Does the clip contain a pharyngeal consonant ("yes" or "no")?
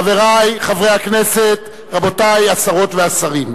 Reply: no